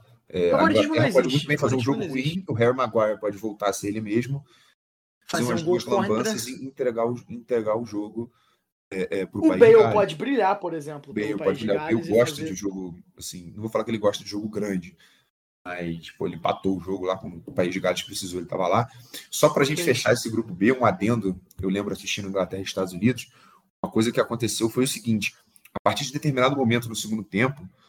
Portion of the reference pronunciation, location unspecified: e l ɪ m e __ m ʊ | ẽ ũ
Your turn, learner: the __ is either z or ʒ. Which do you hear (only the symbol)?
ʒ